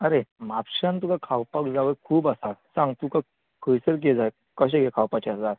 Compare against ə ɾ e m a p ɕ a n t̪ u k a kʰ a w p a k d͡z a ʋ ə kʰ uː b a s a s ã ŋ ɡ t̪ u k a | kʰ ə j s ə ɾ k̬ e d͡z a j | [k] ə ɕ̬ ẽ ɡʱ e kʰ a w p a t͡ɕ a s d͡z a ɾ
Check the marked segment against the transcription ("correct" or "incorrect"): correct